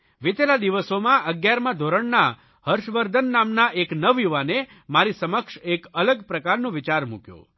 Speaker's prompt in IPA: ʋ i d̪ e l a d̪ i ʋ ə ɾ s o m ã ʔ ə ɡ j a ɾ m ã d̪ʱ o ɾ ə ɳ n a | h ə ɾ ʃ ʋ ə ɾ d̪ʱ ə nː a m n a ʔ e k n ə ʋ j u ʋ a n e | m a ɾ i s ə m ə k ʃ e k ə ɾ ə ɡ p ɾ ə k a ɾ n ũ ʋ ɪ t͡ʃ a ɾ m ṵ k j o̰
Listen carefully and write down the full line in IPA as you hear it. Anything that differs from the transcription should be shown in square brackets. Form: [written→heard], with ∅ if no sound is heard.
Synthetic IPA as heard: ʋ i [d̪→t̪] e l a d̪ i ʋ ə [ɾ→∅] s o m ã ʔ ə ɡ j a ɾ m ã d̪ʱ o ɾ ə ɳ n a | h ə ɾ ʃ ʋ ə ɾ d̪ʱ ə nː a m n a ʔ e k n ə ʋ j u ʋ a n e | m a ɾ i s ə m ə k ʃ e k ə [ɾ→l] ə ɡ p ɾ ə k a ɾ n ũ ʋ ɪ t͡ʃ a ɾ m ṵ k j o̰